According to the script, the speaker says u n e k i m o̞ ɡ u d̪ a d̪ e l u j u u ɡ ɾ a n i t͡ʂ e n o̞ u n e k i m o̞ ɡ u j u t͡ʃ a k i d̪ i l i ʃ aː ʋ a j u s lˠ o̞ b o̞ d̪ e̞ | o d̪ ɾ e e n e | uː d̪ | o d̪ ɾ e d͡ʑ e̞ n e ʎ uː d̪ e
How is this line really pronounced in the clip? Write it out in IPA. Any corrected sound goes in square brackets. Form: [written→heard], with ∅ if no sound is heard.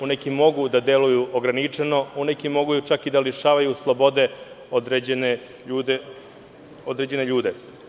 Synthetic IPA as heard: u n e k i m o̞ ɡ u d̪ a d̪ e l u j u [u→o] ɡ ɾ a n i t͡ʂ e n o̞ u n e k i m o̞ ɡ u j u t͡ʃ a k i d̪ [i→a] l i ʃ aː ʋ a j u s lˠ o̞ b o̞ d̪ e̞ | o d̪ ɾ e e n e | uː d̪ | o d̪ ɾ e d͡ʑ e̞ n e ʎ uː d̪ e